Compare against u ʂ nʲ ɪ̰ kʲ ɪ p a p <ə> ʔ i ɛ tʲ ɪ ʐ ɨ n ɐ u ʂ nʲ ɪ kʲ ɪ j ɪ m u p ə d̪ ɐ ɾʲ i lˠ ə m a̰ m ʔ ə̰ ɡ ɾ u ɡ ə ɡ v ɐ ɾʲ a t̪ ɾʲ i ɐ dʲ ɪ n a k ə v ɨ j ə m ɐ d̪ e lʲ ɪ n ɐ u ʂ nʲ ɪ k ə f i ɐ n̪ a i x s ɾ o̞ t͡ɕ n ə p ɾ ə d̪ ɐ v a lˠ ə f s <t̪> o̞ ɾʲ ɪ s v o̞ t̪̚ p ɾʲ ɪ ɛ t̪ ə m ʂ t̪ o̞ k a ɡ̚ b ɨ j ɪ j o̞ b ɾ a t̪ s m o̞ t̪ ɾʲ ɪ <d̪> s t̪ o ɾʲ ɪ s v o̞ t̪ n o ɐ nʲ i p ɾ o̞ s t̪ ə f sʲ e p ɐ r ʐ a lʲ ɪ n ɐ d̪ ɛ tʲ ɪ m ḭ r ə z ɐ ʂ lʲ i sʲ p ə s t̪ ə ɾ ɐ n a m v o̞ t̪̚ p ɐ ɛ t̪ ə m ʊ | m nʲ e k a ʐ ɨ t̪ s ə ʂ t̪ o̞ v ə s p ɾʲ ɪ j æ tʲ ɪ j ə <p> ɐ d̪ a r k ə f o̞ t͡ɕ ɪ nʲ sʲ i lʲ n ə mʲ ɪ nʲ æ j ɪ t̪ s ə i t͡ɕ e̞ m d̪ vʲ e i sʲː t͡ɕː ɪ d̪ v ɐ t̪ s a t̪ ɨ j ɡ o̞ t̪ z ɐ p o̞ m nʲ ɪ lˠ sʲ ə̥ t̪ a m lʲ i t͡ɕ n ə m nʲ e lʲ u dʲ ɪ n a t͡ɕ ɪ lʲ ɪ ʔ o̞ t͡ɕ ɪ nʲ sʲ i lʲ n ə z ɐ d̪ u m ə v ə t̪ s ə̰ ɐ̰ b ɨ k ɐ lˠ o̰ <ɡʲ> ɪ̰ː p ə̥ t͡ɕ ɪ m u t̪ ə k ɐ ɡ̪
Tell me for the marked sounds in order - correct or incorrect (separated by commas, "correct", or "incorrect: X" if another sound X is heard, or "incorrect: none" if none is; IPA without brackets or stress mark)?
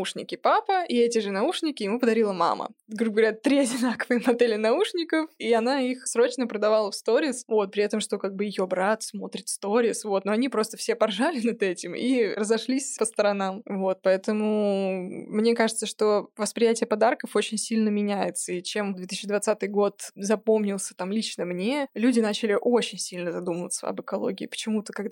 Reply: correct, correct, incorrect: t̪, correct, correct